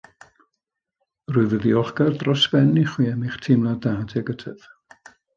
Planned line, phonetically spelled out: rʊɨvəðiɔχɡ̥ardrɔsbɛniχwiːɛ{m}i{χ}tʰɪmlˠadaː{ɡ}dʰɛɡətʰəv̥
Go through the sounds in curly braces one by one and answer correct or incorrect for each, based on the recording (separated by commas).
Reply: correct, correct, incorrect